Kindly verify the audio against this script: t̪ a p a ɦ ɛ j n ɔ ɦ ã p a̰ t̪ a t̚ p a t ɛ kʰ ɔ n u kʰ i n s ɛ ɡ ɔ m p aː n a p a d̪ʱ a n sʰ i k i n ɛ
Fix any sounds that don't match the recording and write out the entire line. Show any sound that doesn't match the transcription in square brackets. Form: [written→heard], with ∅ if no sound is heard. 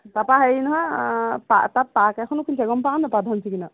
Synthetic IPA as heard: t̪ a p a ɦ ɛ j n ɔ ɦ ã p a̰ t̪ a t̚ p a [t→k] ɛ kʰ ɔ n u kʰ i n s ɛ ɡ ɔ m p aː n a p a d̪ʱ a n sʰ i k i n [ɛ→a]